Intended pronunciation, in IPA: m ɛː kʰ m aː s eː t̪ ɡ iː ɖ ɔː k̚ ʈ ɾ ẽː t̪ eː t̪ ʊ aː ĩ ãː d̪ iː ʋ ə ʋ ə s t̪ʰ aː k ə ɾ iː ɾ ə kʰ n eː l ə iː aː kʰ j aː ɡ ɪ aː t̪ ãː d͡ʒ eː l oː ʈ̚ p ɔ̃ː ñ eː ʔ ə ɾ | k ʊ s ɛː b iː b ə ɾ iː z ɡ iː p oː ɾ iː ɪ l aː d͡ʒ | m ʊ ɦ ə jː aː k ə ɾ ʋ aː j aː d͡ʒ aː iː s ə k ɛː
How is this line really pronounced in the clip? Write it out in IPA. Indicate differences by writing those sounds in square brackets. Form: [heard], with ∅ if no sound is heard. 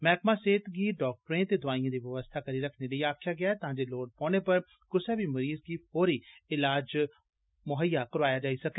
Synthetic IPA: m ɛː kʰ m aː s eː t̪ ɡ iː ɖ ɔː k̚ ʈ ɾ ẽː t̪ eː [d̪] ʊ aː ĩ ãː d̪ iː ʋ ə ʋ ə s t̪ʰ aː k ə ɾ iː ɾ ə kʰ n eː l ə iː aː kʰ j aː ɡ ɪ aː t̪ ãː d͡ʒ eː l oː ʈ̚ p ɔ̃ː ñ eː [p] ə ɾ | k ʊ s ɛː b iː [m] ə ɾ iː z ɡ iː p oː ɾ iː ɪ l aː d͡ʒ | m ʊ ɦ ə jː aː k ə ɾ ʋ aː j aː d͡ʒ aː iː s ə k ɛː